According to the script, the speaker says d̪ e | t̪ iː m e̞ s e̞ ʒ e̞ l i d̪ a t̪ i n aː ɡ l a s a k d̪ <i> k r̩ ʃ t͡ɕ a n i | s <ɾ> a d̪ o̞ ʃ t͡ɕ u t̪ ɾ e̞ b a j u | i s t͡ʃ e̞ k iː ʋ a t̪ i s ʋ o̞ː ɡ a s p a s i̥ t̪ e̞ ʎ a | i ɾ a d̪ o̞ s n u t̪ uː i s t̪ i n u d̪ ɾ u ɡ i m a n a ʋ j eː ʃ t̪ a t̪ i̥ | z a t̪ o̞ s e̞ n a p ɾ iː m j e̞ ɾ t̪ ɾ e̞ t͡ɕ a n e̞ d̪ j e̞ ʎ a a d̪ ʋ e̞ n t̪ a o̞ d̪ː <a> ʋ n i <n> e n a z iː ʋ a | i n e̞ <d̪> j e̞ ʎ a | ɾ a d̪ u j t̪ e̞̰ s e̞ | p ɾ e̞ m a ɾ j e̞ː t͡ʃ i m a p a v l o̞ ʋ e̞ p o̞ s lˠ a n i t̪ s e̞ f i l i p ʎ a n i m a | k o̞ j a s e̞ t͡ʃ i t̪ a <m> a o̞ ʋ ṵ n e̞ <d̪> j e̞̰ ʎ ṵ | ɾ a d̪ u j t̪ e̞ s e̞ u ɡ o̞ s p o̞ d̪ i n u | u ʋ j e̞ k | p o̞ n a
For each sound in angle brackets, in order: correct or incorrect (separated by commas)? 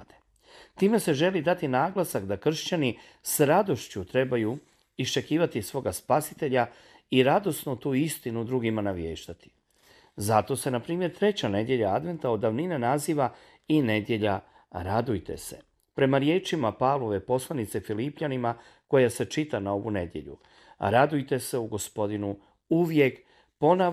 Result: incorrect, correct, correct, correct, correct, incorrect, correct